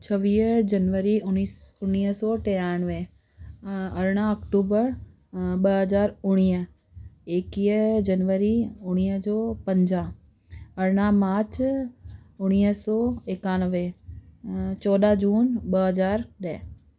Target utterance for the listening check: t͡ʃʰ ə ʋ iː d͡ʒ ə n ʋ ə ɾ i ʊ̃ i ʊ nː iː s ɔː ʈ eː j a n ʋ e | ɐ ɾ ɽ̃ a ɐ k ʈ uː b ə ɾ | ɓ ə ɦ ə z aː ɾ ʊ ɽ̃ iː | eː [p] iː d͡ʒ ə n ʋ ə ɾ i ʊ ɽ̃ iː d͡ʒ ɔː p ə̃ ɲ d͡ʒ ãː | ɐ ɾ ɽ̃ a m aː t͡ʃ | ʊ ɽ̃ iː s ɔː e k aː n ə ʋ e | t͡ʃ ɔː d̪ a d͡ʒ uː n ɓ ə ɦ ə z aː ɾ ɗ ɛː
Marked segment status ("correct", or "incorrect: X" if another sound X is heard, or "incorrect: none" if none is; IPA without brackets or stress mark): incorrect: k